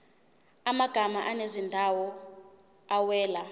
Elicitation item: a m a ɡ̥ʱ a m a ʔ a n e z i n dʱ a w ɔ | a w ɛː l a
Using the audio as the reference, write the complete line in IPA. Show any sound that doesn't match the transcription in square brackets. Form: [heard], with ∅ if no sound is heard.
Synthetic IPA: a m a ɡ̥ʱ a m a ʔ a n e z i n dʱ a w ɔ | a w ɛː l a